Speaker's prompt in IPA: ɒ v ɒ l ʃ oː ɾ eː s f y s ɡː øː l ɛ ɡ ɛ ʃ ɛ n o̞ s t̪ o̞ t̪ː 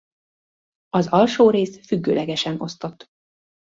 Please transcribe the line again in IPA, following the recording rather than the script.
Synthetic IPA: ɒ z ɒ l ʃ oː ɾ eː s f y ɡː øː l ɛ ɡ ɛ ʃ ɛ n o̞ s t̪ o̞ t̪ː